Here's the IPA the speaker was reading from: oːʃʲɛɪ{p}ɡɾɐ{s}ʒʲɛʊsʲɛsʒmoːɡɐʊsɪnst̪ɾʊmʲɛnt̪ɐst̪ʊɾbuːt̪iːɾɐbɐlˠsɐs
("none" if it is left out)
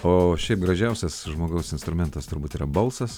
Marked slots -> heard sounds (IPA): p, none

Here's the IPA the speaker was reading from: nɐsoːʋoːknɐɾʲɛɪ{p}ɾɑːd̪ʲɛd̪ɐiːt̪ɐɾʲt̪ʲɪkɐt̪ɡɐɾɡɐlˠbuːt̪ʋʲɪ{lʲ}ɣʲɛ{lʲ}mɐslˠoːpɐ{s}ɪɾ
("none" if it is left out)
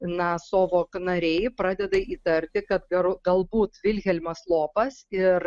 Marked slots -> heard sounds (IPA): p, lʲ, lʲ, s

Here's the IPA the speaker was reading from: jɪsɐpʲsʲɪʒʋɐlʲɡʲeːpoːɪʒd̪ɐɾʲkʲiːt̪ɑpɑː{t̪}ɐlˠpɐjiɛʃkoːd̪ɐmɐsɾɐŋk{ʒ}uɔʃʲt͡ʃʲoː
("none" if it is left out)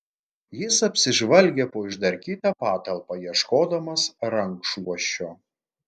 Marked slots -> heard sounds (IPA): t̪, ʃ

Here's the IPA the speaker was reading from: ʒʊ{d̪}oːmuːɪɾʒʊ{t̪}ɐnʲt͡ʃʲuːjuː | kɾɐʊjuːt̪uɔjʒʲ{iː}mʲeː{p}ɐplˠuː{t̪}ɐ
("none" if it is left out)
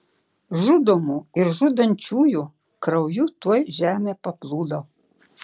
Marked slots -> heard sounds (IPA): d̪, d̪, æː, p, d̪

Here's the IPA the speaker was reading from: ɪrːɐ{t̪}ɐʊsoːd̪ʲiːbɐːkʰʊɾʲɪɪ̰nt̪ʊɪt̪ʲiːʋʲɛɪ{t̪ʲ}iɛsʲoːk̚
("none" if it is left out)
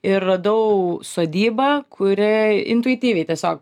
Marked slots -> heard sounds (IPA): d̪, t̪ʲ

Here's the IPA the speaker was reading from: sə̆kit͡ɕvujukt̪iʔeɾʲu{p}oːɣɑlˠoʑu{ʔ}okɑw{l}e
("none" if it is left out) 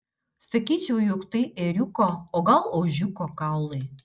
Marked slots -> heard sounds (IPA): k, k, l

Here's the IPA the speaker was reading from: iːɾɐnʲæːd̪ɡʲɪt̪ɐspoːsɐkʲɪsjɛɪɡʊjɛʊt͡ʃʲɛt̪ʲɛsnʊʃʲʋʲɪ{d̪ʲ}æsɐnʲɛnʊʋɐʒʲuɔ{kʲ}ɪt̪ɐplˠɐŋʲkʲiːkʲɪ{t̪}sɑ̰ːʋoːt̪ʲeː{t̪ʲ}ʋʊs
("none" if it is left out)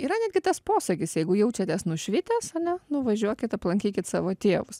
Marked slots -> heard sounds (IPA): t̪ʲ, kʲ, t̪, none

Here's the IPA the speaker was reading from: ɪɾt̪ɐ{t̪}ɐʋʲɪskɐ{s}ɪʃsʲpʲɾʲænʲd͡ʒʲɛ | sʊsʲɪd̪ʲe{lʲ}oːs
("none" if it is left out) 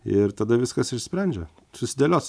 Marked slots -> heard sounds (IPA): d̪, s, lʲ

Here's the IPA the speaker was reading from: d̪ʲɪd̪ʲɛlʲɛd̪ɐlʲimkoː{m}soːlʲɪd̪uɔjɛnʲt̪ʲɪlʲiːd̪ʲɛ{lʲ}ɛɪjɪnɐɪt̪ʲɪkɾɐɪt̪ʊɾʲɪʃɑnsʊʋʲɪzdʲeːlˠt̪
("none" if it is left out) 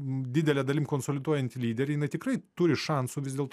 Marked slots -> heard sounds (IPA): n, ɾʲ

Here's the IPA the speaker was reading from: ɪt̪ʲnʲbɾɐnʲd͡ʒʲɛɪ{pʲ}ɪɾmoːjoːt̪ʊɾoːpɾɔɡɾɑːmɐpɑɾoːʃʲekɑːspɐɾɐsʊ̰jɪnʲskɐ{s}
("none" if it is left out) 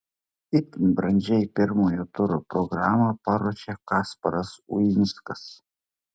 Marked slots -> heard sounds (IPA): pʲ, s

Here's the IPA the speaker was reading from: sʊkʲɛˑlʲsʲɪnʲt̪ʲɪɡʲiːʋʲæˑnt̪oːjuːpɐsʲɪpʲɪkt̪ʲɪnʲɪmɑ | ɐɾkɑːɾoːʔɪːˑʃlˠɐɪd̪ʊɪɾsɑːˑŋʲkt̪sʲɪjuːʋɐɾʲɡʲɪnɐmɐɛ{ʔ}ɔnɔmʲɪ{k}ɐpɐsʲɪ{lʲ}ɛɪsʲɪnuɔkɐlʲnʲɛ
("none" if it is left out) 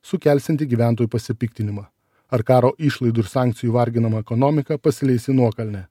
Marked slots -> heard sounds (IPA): k, k, lʲ

